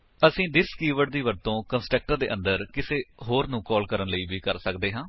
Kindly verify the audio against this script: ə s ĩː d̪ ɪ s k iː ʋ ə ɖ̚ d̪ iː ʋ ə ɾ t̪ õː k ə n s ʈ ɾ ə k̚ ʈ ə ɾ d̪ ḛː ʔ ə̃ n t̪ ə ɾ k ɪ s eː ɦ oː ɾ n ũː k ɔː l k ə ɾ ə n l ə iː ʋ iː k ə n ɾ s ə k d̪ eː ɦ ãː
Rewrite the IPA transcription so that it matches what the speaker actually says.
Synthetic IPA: ə s ĩː d̪ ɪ s k iː ʋ ə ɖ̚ d̪ iː ʋ ə ɾ t̪ õː k ə n s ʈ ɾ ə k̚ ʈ ə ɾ d̪ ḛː ʔ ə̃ n d̪ ə ɾ k ɪ s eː ɦ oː ɾ n ũː k ɔː l k ə ɾ ə n l ə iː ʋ iː k ə ɾ s ə k d̪ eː ɦ ãː